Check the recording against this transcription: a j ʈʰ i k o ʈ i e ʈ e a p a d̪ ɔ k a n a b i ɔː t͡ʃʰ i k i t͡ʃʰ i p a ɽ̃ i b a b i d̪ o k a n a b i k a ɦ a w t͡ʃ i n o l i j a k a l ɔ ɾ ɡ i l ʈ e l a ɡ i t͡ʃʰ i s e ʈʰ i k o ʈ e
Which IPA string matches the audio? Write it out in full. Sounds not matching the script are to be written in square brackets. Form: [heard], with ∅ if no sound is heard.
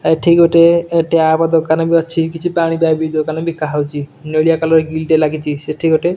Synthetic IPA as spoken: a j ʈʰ i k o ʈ [e] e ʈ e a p a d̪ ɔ k a n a b i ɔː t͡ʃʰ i k i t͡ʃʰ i p a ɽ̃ i b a b i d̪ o k a n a b i k a ɦ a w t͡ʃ i n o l i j a k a l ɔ ɾ ɡ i l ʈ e l a ɡ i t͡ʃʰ i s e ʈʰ i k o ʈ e